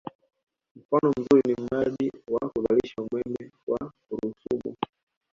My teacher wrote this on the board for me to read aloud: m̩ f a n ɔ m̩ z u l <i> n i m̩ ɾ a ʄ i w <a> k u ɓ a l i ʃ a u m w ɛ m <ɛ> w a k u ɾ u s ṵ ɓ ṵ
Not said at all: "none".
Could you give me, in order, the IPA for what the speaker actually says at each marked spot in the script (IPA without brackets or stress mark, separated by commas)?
i, a, ɛ